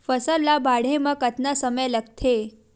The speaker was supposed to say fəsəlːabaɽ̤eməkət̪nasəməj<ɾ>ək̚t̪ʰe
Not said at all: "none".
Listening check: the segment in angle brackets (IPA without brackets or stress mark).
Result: l